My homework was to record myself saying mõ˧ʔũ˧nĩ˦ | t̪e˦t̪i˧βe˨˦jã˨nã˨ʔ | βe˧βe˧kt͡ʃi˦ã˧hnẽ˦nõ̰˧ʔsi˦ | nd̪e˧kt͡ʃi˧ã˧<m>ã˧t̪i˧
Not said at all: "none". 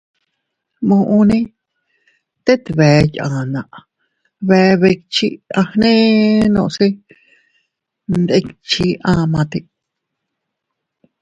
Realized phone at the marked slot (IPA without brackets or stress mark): m